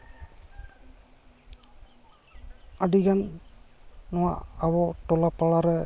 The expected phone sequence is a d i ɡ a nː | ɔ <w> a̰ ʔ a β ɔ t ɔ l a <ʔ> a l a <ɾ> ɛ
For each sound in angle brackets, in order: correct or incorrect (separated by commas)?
correct, incorrect, correct